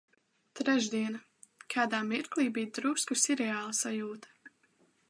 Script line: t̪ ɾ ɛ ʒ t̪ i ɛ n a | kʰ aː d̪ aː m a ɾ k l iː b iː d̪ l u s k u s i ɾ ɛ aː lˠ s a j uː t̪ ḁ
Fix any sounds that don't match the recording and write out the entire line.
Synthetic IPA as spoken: t̪ ɾ ɛ ʒ d̪ i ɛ n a | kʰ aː d̪ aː m i ɾ k l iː b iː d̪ ɾ u s k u s i ɾ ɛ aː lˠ s a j uː t̪ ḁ

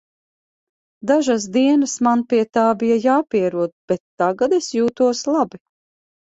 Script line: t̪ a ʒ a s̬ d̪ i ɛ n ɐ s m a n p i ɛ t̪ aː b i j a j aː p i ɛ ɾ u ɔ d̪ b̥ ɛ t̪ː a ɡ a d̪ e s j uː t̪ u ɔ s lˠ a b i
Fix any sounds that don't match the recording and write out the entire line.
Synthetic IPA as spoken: d̪ a ʒ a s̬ d̪ i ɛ n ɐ s m a n p i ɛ t̪ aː b i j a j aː p i ɛ ɾ u ɔ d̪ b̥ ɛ t̪ː a ɡ a d̪ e s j uː t̪ u ɔ s lˠ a b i

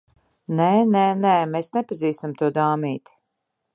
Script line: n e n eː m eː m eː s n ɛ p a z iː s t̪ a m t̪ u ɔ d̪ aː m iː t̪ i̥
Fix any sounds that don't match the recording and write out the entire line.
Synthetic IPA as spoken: n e n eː n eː m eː s n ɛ p a z iː s t̪ a m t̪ u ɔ d̪ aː m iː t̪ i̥

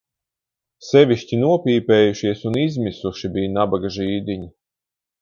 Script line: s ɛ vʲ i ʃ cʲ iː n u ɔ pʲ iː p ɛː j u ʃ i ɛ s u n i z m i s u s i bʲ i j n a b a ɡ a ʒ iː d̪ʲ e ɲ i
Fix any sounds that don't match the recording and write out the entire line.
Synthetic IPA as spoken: s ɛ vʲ i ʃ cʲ i n u ɔ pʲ iː p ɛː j u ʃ i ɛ s u n i z m i s u ʃ i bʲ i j n a b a ɡ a ʒ iː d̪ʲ i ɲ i

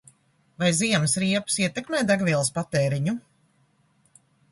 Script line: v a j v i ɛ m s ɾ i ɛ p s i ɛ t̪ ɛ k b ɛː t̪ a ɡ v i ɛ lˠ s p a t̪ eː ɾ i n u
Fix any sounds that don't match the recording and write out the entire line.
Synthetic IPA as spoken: v a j z i ɛ m s ɾ i ɛ p s i ɛ t̪ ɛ k m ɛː d̪ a ɡ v i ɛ lˠ s p a t̪ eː ɾ i ɲ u

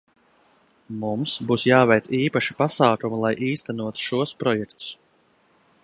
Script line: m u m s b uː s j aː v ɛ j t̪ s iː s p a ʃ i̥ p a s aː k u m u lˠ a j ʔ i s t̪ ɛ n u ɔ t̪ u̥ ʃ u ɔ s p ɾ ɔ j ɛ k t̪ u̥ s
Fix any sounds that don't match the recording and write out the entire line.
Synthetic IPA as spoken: m u m s b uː s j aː v ɛ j t̪ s iː p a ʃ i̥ p a s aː k u m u lˠ a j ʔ iː s t̪ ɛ n u ɔ t̪ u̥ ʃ u ɔ s p ɾ ɔ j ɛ k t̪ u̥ s

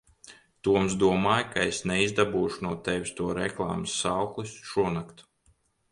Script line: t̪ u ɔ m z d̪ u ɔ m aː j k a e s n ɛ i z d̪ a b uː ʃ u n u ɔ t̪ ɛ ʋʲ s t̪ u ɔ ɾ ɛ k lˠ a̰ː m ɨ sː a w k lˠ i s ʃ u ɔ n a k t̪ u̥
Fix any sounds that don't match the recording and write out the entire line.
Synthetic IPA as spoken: t̪ u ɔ m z d̪ u ɔ m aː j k a e s n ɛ i z d̪ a b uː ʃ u n u ɔ t̪ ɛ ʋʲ s t̪ u ɔ ɾ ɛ k lˠ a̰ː m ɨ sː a w k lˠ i s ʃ u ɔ n a k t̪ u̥

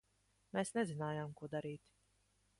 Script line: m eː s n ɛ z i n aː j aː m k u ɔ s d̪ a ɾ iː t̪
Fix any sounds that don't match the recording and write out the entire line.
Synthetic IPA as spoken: m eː s n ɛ z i n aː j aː m k u ɔ d̪ a ɾ iː t̪

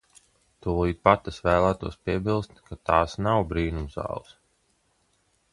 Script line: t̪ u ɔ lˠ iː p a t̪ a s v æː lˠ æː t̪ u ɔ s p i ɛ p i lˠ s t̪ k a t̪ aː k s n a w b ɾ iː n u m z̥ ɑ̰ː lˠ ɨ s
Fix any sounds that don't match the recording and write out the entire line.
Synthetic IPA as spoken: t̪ u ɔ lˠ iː p a t̪ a s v æː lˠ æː t̪ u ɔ s p i ɛ b i lˠ s t̪ k a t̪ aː s n a w b ɾ iː n u m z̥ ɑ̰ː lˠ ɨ s

